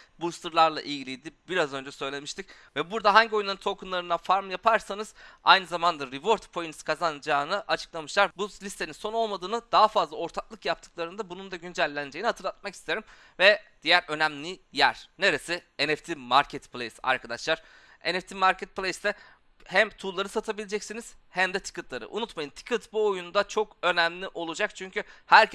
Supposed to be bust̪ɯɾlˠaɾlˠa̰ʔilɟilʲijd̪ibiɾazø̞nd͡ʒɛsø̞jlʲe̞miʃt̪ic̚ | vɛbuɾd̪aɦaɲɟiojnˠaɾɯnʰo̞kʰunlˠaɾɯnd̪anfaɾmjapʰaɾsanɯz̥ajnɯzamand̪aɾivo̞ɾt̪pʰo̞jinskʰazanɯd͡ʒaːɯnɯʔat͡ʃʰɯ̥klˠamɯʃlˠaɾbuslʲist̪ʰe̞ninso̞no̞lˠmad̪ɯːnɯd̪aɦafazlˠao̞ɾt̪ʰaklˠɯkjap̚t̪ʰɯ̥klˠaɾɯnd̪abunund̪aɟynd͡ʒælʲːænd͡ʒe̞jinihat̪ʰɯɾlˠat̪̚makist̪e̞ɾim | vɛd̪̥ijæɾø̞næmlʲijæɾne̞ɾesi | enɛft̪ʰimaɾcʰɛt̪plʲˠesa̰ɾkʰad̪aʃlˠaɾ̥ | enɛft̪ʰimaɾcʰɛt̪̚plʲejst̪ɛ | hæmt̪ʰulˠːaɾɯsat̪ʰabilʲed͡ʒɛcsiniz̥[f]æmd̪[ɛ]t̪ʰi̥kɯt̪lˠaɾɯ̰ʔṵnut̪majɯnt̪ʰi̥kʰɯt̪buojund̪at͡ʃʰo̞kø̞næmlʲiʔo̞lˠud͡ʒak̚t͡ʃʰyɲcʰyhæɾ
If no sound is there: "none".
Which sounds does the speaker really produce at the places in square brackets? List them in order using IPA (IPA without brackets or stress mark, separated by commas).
h, ɛ